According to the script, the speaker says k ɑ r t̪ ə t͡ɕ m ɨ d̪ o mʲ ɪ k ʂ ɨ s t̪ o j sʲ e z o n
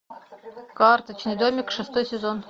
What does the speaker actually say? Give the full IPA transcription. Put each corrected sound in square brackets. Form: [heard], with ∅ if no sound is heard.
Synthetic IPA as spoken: k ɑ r t̪ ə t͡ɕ [n] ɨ d̪ o mʲ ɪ k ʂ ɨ s t̪ o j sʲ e z o n